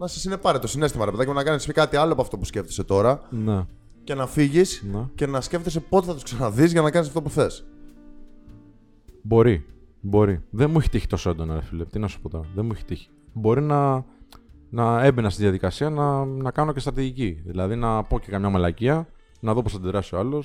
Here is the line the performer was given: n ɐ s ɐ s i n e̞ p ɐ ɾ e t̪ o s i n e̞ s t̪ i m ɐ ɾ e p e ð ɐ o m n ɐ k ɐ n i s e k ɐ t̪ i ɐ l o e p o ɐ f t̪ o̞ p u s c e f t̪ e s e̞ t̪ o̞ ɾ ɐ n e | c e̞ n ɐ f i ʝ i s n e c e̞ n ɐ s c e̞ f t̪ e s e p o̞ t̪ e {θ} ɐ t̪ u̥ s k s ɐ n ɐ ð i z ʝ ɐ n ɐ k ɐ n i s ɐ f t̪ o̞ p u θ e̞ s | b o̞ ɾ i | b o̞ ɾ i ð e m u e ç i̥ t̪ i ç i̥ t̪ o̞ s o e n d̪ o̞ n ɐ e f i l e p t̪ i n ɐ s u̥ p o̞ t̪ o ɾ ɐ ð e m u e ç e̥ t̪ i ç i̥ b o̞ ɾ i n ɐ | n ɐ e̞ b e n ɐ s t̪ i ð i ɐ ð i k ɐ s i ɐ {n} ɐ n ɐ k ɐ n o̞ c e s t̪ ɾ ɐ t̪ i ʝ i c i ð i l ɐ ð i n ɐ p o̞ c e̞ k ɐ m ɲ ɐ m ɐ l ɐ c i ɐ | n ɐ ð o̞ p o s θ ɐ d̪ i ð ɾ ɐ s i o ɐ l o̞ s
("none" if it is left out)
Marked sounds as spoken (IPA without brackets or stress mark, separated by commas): θ, n